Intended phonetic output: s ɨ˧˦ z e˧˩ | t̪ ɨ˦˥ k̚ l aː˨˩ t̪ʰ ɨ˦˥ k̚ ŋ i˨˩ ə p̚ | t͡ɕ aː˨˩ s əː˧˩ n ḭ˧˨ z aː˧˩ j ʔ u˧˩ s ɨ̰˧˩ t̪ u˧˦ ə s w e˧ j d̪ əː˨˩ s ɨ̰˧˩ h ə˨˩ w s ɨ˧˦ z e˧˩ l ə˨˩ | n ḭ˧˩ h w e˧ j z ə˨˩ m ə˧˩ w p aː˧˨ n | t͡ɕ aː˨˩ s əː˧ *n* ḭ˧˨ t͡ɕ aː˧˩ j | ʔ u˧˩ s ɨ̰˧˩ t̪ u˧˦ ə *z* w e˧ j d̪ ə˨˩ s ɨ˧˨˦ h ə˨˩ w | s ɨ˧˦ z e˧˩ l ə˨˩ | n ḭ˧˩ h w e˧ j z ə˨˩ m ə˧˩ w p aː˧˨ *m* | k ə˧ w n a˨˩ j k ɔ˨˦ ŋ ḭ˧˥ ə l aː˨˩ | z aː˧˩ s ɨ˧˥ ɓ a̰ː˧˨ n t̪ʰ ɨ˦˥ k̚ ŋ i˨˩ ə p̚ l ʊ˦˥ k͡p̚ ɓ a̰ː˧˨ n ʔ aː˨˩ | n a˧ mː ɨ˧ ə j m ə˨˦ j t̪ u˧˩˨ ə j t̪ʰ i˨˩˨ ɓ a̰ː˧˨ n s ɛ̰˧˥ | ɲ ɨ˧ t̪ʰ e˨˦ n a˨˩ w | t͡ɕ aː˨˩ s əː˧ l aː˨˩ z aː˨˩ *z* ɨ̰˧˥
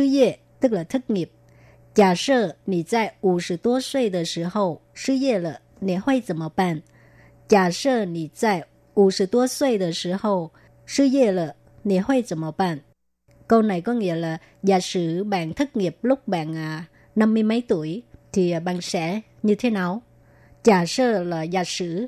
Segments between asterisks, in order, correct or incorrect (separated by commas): correct, incorrect, incorrect, incorrect